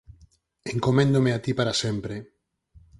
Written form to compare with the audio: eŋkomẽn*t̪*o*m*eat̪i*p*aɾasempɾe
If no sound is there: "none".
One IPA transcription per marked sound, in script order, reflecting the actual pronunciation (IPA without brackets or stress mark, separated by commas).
d̪, m, p